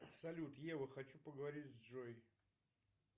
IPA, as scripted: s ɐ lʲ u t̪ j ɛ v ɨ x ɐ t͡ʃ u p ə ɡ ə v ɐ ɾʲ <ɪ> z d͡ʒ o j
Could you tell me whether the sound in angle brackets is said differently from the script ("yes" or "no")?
yes